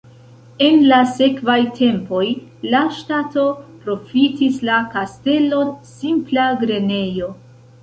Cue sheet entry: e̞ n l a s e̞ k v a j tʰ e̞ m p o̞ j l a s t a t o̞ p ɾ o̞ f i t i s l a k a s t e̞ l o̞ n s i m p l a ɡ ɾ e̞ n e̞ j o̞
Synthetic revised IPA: e̞ n l a s e̞ k v a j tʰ e̞ m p o̞ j l a ʃ t a t o̞ p ɾ o̞ f i t i s l a k a s t e̞ l o̞ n s i m p l a ɡ ɾ e̞ n e̞ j o̞